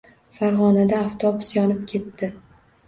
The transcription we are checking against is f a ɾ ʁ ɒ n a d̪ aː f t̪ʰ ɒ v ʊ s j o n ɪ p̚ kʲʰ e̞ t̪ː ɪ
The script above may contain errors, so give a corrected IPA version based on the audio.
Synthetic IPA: f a ɾ ʁ ɒ n a d̪ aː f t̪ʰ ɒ b ʊ s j ɒ n ɪ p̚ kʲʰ e̞ t̪ː ɪ

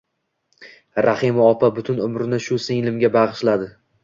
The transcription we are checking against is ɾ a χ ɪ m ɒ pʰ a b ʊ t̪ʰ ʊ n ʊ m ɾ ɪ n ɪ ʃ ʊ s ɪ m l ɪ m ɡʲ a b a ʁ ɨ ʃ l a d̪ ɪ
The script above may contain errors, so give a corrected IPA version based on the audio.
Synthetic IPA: ɾ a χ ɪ m ɒ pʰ a b ʊ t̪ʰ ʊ n ʊ m ɾ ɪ n ɪ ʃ ʊ s ɪ ŋ l ɪ m ɡʲ a b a ʁ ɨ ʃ l a d̪ ɪ

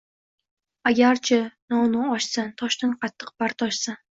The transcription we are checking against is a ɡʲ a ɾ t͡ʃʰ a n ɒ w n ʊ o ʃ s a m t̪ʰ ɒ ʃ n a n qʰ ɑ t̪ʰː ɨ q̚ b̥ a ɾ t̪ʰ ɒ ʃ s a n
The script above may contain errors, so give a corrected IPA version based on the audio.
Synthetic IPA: a ɡʲ a ɾ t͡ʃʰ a n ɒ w n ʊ ɒ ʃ s a n t̪ʰ ɒ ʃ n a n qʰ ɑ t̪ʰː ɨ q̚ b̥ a ɾ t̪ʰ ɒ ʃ s a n

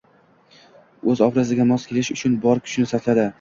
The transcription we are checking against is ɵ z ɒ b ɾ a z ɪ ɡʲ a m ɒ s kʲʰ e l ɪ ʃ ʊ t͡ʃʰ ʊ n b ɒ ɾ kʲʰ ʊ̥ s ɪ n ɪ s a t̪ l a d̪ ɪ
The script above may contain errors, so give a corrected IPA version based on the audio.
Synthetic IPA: ɵ z ɒ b ɾ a z ɪ ɡʲ a m ɒ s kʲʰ e l ɪ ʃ ʊ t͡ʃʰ ʊ n b ɒ ɾ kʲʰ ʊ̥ ʃ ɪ n ɪ s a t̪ l a d̪ ɪ

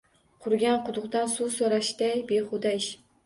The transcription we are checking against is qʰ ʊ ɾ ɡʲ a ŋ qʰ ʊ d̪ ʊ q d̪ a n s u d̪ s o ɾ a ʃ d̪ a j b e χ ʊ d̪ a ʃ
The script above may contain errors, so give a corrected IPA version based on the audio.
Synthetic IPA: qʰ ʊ ɾ ɡʲ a n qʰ ʊ d̪ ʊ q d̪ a n s u s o ɾ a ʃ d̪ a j b e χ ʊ d̪ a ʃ

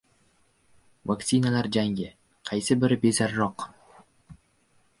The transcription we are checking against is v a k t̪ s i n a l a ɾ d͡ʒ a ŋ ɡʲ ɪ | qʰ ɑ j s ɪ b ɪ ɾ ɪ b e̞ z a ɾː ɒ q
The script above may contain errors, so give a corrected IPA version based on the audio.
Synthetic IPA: v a k t̪ s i n a l a ɾ d͡ʒ a ŋ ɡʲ ɪ | qʰ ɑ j s ɪ b ɪ ɾ ɪ b e̞ z a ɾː ɒ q

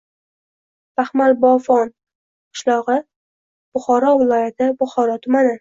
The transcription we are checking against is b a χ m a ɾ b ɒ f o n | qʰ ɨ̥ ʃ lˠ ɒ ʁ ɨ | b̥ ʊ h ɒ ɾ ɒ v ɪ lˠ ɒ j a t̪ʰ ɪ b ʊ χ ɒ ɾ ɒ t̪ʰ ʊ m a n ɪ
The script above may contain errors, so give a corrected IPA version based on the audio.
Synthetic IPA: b a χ m a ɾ b ɒ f ɒ n | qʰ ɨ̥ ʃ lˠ ɒ ʁ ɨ | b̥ ʊ χ ɒ ɾ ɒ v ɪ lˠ ɒ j a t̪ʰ ɪ b ʊ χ ɒ ɾ ɒ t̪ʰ ʊ m a n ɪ

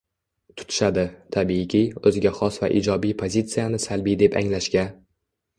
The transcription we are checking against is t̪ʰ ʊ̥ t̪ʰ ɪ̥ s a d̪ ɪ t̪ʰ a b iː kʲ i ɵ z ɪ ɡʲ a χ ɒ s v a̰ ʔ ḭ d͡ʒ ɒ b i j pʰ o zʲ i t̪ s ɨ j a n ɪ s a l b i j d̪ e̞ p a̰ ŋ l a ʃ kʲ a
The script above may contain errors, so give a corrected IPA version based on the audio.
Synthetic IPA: t̪ʰ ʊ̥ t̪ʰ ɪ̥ ʃ a d̪ ɪ t̪ʰ a b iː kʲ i ɵ z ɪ ɡʲ a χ ɒ s v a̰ ʔ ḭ d͡ʒ ɒ b i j pʰ o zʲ i t̪ s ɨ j a n ɪ s a l b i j d̪ e̞ p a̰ ŋ l a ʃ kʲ a

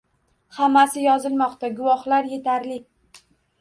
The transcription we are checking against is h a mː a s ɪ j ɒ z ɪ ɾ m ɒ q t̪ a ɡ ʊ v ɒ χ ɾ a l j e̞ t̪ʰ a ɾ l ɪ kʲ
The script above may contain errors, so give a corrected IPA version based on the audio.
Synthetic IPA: h a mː a s ɪ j ɒ z ɪ l m ɒ q t̪ a ɡ ʊ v ɒ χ l a ɾ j e̞ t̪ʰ a ɾ l ɪ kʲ

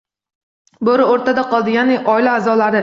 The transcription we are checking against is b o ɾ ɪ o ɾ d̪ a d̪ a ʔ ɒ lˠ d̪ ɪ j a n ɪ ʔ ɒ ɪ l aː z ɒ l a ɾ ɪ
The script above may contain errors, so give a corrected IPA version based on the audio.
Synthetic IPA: b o ɾ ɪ o ɾ t̪ a d̪ a q ɒ lˠ d̪ ɪ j a n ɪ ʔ ɒ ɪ l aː z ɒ l a ɾ ɪ

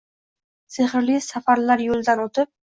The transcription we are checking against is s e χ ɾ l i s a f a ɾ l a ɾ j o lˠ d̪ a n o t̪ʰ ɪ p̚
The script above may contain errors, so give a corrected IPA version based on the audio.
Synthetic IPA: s e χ ɾ l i s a f a ɾ l a ɾ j o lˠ d̪ a n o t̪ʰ ɪ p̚

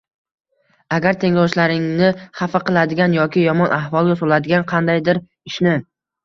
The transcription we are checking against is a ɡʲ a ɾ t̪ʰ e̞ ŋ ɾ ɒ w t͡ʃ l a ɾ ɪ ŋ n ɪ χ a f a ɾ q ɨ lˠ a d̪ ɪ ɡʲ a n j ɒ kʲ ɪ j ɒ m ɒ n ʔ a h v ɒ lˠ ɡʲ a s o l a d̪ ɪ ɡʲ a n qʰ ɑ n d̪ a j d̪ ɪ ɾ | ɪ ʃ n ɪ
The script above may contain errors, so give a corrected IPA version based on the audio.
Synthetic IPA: a ɡʲ a ɾ t̪ʰ e̞ ŋ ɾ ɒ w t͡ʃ l a ɾ ɪ ŋ n ɪ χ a f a q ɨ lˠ a d̪ ɪ ɡʲ a n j ɒ kʲ ɪ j ɒ m ɒ n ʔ a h v ɒ lˠ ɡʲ a s o l a d̪ ɪ ɡʲ a n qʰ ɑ n d̪ a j d̪ ɪ ɾ | ɪ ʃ n ɪ

